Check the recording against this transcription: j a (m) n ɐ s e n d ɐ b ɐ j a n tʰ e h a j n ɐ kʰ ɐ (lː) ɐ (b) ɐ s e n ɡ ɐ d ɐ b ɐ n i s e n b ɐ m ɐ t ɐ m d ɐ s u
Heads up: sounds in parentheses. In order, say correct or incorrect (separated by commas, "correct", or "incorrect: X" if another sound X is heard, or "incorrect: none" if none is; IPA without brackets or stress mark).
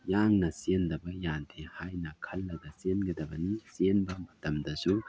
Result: incorrect: ŋ, correct, incorrect: d